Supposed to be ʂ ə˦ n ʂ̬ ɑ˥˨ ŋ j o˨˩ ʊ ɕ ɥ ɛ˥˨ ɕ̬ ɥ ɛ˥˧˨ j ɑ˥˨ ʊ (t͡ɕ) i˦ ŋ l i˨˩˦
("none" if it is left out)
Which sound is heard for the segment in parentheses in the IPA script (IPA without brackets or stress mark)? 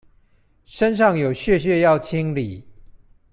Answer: t͡ɕʰ